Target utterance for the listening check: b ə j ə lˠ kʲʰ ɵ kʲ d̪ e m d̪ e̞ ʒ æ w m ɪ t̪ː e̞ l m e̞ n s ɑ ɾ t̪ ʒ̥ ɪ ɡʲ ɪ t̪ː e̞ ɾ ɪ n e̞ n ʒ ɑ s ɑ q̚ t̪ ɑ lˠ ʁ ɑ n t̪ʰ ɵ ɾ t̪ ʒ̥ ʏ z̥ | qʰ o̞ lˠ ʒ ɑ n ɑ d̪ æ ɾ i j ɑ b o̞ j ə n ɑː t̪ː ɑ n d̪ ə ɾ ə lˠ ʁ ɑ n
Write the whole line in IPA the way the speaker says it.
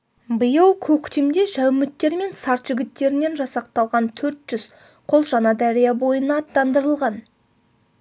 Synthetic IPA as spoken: b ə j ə lˠ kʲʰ ɵ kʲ t̪ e m d̪ e̞ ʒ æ w m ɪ t̪ː e̞ ɾ m e̞ n s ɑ ɾ t̪ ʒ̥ ɪ ɡʲ ɪ t̪ː e̞ ɾ ɪ n e̞ n ʒ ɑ s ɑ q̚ t̪ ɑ lˠ ʁ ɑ n t̪ʰ ɵ ɾ t̪ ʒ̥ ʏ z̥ | qʰ o̞ lˠ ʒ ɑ n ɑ d̪ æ ɾ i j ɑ b o̞ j ə n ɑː t̪ː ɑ n d̪ ə ɾ ə lˠ ʁ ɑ n